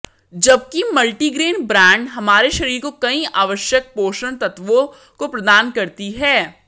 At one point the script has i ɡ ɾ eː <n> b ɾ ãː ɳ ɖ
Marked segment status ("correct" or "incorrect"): correct